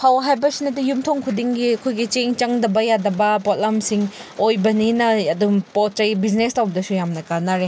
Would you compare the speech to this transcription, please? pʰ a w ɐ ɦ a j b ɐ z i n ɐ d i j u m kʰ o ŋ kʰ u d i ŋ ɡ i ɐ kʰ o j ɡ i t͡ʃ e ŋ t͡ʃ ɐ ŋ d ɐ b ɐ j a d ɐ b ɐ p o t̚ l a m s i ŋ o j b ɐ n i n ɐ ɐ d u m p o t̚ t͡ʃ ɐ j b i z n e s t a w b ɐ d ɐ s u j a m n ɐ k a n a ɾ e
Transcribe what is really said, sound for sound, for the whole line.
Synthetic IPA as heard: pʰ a w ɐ ɦ a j b ɐ s i n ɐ d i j u m tʰ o ŋ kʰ u d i ŋ ɡ i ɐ kʰ o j ɡ i t͡ʃ e ŋ t͡ʃ ɐ ŋ d ɐ b ɐ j a d ɐ b ɐ p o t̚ l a m s i ŋ o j b ɐ n i n ɐ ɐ d u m p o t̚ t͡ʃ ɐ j b i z n e s t a w b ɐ d ɐ s u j a m n ɐ k a n a ɾ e